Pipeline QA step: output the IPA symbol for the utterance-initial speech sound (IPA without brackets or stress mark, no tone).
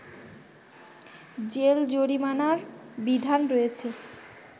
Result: d͡ʑ